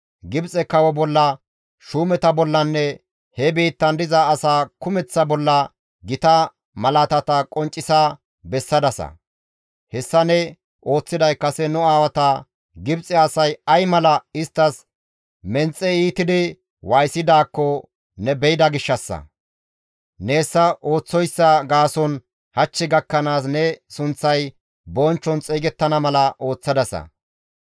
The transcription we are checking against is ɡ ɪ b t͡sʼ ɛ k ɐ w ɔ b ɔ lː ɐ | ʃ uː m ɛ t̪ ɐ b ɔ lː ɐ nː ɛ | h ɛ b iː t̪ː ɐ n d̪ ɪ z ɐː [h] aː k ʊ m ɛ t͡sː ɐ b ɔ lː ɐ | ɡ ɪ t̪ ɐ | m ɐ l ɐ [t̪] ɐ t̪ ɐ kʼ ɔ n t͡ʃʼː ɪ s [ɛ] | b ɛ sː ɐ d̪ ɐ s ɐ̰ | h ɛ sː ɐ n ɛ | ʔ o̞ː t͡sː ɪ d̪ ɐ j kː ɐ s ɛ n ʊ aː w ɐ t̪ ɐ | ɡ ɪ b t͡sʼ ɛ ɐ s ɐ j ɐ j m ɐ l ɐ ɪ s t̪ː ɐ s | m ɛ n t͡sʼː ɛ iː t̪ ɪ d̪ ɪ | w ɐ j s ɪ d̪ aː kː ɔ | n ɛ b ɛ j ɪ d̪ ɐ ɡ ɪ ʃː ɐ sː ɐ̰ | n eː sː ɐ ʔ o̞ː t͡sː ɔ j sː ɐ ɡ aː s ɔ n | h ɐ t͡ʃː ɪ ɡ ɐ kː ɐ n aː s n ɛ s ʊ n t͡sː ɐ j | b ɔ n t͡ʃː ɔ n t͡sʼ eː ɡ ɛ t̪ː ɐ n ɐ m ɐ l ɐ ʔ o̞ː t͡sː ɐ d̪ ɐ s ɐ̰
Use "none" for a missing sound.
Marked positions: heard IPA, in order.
s, t̪, a

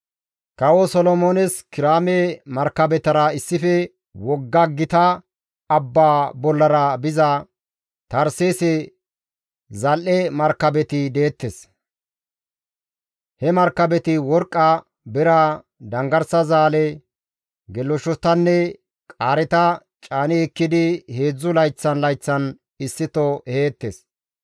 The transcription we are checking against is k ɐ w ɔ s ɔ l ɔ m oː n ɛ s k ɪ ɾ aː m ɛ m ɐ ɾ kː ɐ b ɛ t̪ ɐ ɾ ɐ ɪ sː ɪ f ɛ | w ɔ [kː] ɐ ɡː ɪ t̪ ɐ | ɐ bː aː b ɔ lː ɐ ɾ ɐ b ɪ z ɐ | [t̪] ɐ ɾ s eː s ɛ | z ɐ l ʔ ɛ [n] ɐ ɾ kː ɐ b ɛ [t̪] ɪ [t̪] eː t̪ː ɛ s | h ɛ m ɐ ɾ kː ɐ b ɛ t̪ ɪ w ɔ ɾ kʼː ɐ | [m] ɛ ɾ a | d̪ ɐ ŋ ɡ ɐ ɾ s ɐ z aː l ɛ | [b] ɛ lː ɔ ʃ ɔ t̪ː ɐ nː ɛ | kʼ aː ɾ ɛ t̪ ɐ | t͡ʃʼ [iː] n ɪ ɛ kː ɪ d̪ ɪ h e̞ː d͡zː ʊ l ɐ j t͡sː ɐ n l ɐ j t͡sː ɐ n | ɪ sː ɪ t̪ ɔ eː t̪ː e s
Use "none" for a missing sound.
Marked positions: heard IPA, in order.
ɡː, t̪, m, t̪, d̪, b, ɡ, aː

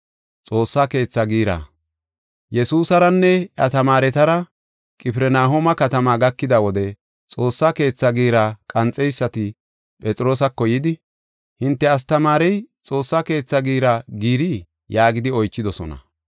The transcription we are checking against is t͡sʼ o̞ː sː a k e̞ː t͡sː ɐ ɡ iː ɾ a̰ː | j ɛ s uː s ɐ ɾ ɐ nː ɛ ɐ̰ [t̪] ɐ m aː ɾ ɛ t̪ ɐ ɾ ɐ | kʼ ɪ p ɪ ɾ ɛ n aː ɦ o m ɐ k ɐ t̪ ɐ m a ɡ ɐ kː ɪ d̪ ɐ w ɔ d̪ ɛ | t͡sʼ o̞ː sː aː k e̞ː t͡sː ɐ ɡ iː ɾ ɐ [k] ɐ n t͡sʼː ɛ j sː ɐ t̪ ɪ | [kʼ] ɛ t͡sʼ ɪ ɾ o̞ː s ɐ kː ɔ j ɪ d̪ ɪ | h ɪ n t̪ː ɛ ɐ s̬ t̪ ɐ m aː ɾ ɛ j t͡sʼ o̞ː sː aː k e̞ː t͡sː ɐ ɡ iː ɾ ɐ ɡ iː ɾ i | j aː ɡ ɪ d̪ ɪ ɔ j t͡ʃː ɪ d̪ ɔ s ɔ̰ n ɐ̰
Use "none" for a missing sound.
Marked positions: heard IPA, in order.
t̪, kʼ, pʼ

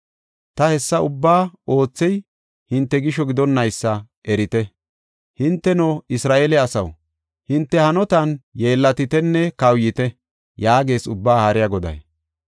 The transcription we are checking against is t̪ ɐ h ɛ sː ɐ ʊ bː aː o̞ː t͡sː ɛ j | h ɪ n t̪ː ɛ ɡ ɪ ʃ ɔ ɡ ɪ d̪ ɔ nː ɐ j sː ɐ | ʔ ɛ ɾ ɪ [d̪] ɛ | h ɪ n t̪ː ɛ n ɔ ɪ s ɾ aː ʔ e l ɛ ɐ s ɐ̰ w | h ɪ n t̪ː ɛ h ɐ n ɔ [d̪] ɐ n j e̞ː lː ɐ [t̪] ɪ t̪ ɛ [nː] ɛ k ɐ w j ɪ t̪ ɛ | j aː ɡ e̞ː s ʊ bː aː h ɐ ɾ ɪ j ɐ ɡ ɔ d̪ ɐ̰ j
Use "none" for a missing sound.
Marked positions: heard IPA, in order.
t̪, t̪, t̪, nː

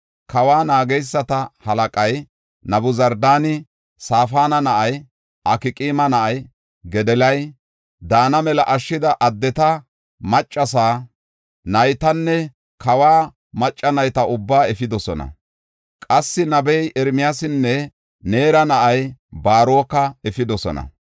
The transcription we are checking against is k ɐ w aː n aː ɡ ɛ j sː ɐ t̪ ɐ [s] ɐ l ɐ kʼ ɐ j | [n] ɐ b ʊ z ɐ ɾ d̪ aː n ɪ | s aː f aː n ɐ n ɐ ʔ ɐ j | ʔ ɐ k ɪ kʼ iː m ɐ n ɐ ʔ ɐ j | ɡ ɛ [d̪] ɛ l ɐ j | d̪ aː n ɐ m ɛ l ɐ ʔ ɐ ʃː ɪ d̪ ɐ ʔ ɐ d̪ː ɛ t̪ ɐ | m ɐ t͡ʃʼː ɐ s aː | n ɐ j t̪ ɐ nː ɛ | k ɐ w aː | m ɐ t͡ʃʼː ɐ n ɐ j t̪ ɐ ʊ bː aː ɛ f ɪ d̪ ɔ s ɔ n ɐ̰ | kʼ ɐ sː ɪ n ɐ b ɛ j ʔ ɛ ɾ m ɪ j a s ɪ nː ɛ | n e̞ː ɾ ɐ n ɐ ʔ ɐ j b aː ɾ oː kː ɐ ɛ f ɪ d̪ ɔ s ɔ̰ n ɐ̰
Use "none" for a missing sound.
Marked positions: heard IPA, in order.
h, n, d̪

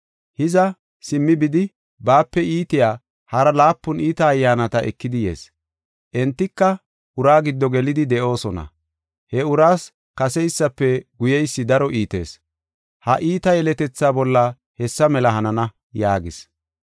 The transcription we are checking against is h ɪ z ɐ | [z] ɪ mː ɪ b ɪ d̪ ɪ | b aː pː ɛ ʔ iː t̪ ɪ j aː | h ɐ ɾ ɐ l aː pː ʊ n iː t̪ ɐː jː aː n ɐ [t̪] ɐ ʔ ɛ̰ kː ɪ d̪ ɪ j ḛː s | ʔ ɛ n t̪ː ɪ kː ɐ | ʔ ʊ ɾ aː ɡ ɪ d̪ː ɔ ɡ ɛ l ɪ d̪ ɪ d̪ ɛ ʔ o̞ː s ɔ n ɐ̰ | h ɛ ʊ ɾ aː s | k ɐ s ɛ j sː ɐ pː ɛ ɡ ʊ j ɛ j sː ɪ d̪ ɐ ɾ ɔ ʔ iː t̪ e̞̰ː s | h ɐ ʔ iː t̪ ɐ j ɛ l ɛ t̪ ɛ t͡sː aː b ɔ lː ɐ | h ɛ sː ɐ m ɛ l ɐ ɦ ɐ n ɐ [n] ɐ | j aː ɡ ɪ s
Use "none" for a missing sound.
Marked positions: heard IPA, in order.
s, t̪, n

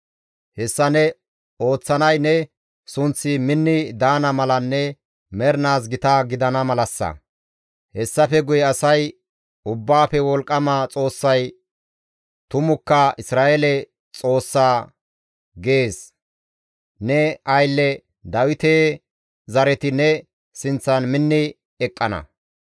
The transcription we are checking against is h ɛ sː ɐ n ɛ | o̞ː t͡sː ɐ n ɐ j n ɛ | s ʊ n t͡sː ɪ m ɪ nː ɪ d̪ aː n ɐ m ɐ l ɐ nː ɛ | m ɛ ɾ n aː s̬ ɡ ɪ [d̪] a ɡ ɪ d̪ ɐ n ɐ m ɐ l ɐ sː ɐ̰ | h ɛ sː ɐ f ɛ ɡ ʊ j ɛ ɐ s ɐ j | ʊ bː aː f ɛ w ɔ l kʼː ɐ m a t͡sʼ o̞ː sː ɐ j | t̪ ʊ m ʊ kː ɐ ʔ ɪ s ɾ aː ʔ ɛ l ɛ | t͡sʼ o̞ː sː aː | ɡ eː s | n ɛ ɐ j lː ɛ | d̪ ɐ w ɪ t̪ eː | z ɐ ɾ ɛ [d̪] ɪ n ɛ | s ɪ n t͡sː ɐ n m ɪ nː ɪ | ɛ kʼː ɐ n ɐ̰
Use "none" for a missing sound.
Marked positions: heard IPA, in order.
t̪, t̪

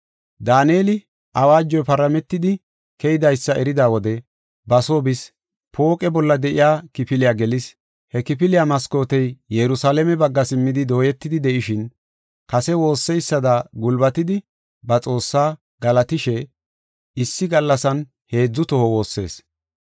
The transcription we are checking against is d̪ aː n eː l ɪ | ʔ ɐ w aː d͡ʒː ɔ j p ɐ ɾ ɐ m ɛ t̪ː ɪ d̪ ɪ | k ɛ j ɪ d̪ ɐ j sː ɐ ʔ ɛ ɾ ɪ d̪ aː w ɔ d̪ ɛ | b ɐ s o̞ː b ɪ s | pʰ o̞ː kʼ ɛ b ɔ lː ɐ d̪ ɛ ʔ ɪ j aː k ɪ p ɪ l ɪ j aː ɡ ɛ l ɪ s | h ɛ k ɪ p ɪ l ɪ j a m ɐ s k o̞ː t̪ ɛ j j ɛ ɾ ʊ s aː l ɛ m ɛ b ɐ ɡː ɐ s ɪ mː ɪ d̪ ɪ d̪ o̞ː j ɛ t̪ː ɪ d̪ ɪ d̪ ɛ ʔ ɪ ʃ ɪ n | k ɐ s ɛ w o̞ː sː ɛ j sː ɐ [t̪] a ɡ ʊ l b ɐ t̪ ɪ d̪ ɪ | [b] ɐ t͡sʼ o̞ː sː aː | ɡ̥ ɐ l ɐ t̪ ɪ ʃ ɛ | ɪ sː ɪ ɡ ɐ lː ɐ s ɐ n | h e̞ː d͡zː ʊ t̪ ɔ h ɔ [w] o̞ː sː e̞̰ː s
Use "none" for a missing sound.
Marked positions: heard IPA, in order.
d̪, b, w

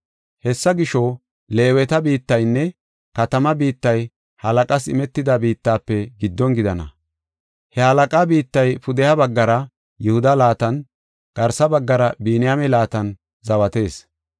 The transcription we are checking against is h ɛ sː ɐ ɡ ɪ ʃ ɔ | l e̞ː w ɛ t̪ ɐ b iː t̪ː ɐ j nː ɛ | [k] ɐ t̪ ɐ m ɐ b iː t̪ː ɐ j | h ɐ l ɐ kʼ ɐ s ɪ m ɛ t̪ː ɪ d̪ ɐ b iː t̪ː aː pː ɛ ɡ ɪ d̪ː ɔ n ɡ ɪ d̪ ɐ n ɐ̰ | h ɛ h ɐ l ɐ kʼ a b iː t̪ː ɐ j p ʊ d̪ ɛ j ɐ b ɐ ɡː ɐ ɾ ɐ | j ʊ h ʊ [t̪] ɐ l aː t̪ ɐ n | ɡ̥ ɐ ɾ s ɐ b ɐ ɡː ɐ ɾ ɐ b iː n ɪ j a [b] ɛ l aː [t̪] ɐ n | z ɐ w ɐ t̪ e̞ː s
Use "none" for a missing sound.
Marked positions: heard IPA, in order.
k, d̪, m, t̪

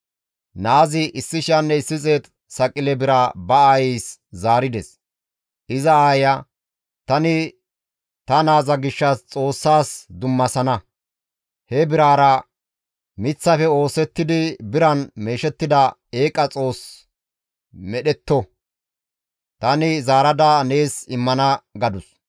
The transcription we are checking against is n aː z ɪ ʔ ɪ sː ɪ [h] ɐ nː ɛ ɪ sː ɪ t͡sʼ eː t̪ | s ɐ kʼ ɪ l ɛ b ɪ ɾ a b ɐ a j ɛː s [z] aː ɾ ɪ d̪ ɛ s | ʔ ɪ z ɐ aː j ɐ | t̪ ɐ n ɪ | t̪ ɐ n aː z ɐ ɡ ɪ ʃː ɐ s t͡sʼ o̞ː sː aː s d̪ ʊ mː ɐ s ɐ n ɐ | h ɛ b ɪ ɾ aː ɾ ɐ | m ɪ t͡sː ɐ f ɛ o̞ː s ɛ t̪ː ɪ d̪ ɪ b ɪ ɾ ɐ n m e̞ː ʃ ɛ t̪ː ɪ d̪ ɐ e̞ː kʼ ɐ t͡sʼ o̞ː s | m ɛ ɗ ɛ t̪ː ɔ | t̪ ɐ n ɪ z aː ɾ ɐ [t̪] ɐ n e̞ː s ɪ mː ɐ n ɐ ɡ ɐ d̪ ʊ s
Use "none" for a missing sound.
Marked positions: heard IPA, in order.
ʃ, z, d̪

